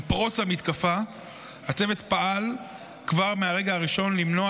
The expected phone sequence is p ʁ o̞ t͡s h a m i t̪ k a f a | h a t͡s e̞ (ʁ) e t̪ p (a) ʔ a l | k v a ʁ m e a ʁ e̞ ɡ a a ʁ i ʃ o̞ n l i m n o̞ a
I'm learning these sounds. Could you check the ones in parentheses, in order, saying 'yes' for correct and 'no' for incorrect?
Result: no, yes

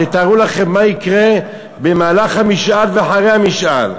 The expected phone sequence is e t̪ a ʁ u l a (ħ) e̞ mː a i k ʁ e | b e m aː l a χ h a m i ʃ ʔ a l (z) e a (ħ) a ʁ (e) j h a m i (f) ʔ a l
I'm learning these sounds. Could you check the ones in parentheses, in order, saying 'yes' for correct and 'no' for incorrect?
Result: no, no, yes, yes, no

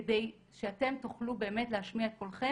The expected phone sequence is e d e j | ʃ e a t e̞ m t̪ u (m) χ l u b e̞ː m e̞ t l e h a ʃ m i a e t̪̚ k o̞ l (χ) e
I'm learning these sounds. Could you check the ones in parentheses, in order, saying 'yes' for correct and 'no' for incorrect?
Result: no, yes

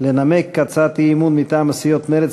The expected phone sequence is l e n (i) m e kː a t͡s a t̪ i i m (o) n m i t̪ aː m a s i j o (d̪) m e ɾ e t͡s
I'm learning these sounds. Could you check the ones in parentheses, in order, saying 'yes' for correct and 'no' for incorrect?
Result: no, no, no

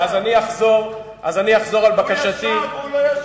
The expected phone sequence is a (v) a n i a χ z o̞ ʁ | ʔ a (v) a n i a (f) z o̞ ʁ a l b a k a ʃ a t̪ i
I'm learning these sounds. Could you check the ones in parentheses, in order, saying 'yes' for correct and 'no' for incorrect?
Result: no, no, no

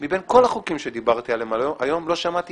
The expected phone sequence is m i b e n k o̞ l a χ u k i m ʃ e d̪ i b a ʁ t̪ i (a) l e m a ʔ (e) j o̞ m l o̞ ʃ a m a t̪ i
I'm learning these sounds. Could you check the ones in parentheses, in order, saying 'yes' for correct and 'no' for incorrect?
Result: yes, no

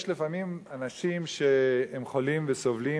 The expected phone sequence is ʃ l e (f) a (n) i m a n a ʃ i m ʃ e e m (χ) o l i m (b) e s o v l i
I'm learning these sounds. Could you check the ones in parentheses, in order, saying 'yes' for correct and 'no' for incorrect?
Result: yes, no, yes, no

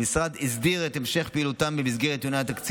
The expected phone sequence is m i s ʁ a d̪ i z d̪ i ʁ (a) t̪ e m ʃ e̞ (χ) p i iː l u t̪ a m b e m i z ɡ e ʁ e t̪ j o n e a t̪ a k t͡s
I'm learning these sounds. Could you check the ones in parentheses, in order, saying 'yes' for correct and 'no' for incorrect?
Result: no, yes

